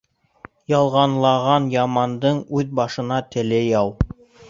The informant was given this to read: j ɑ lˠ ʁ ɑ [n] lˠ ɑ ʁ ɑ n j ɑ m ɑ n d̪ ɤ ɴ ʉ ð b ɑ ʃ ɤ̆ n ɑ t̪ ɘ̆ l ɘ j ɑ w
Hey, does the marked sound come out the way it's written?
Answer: yes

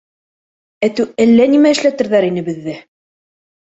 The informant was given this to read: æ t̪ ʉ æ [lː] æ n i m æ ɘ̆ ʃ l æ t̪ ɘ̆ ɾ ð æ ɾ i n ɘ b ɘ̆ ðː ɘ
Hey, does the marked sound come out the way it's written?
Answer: yes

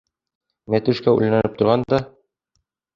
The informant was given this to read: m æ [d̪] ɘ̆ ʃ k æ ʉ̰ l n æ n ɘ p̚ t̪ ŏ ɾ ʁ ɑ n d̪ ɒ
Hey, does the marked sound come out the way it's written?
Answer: no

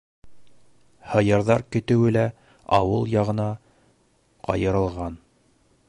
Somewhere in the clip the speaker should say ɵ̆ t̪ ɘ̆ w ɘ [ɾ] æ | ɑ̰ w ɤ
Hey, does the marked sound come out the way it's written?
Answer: no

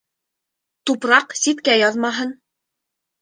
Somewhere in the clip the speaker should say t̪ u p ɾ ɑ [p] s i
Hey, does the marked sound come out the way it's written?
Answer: no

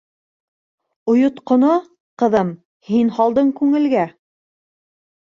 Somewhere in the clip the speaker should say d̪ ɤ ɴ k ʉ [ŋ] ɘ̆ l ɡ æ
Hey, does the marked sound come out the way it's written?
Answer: yes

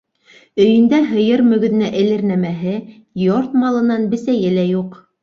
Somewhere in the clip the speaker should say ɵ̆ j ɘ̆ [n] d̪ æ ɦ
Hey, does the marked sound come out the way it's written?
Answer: yes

